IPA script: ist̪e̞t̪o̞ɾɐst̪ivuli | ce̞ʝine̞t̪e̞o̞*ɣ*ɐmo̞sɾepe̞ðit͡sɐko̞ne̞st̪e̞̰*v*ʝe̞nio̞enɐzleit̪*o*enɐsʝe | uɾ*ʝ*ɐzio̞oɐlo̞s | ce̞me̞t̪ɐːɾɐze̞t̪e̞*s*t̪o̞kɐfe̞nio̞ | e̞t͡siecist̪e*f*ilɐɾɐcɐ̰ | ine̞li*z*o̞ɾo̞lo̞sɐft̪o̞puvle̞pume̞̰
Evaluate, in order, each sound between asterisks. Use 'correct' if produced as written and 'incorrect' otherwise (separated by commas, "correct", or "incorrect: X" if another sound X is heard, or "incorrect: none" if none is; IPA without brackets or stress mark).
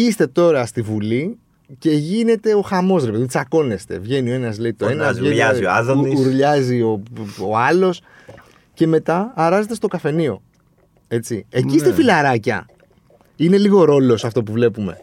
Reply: incorrect: x, correct, correct, incorrect: ʎ, correct, correct, incorrect: ɣ